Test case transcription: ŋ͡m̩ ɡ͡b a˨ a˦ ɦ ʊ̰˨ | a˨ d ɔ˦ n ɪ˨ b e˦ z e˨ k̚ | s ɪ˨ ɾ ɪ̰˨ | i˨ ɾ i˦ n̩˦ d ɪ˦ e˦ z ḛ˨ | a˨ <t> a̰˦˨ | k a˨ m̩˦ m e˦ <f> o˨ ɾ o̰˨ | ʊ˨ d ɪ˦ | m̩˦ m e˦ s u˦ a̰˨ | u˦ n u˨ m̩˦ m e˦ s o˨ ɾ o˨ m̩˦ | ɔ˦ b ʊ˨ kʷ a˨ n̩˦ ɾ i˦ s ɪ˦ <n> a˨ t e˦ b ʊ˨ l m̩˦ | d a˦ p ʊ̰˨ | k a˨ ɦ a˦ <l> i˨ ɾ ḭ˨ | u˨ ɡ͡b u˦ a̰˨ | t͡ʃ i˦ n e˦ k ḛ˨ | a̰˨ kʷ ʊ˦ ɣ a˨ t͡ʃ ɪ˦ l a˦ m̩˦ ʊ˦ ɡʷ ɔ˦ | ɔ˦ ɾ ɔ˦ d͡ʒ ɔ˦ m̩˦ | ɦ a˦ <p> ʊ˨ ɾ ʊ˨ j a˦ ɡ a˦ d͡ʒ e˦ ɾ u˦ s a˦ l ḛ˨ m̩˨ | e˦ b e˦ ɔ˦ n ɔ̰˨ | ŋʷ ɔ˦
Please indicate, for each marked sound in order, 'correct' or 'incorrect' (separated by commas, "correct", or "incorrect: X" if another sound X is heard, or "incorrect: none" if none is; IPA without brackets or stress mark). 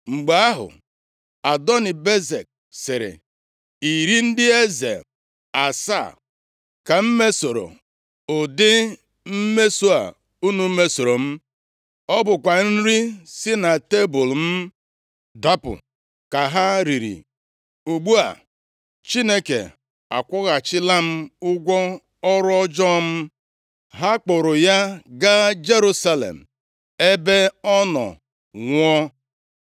incorrect: s, incorrect: s, correct, incorrect: ɾ, incorrect: k͡p